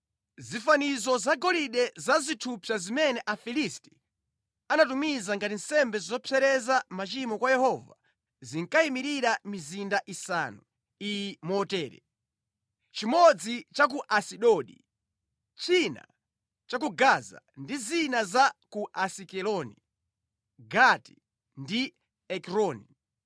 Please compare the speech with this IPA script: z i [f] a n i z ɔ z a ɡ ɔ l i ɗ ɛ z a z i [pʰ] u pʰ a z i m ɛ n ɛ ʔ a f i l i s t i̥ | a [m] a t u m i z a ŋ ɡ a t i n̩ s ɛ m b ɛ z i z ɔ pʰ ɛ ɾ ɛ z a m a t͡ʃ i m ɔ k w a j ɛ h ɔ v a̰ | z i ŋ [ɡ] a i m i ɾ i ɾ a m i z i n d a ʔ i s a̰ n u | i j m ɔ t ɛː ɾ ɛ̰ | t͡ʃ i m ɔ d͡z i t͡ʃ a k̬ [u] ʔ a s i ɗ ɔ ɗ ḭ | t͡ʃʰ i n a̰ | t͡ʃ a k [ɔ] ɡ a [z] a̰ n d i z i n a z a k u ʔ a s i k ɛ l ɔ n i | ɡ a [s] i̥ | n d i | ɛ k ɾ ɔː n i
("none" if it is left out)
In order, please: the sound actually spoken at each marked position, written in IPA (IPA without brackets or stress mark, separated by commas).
f, tʰ, n, k, u, u, z, t